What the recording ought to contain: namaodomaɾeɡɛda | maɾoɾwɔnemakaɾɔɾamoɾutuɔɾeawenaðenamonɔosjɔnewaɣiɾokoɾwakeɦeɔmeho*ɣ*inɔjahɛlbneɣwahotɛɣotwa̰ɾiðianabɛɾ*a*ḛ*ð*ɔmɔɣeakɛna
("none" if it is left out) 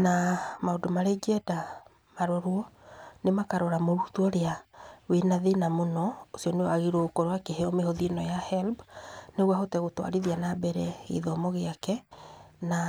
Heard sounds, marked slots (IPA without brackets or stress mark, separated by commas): ð, ɛ, ð